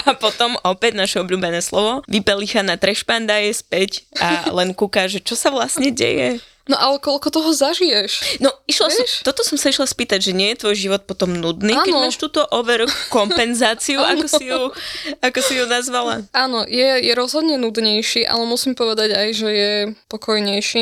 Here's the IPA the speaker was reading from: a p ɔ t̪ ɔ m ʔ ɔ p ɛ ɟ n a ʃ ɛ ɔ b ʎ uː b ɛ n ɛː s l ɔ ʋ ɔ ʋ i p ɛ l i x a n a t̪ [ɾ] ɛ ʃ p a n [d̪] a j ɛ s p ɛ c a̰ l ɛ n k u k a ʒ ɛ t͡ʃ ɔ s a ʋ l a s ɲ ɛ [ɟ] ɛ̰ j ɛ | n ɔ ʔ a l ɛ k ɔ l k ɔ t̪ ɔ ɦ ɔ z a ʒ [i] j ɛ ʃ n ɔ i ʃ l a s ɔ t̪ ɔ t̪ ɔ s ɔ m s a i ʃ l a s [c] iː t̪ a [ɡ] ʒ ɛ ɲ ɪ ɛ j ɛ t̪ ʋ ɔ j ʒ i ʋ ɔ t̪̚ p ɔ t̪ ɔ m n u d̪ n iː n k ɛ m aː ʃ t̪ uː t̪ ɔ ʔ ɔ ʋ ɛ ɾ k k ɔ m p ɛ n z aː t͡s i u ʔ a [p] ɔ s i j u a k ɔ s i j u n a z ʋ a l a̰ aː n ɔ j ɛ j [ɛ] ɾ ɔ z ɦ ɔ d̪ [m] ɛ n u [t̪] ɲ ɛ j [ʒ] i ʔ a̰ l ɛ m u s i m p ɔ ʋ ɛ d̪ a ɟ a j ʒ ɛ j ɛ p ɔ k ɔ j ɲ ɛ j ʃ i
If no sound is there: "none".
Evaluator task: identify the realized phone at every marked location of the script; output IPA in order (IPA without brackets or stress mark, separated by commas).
ɾ, d̪, ɟ, i, p, ɟ, k, ɛ, ɲ, d̪, ʃ